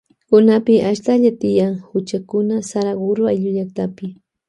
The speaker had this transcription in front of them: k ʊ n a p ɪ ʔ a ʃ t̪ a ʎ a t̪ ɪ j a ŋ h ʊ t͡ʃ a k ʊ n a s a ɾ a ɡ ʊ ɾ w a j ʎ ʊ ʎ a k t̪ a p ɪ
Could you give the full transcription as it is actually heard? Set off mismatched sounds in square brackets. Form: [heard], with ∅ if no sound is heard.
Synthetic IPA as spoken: k ʊ n a p ɪ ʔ a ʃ t̪ a ʎ a t̪ ɪ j a ŋ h ʊ t͡ʃ a k ʊ n a s a ɾ a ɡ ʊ ɾ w a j ʎ ʊ ʎ a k t̪ a p ɪ

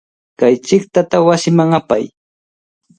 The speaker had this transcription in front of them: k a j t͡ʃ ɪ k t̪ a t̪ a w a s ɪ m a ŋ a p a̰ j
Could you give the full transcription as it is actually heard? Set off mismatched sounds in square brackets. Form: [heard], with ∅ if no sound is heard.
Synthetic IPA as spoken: k a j t͡ʃ ɪ k t̪ a t̪ a w a s ɪ m a ŋ a p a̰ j

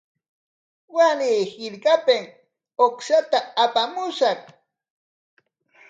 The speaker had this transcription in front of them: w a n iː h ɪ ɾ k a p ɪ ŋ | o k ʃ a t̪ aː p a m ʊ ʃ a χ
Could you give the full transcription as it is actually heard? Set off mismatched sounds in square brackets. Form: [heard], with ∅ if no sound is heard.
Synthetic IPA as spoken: w a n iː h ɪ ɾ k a p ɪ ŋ | o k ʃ a t̪ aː p a m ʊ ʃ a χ

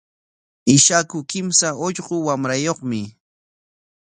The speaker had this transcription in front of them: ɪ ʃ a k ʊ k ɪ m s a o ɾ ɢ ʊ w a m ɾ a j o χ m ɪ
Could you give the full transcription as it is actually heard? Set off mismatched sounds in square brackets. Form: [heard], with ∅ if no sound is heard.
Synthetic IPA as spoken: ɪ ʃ a k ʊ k ɪ m s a o [ʎ] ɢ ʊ w a m ɾ a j o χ m ɪ

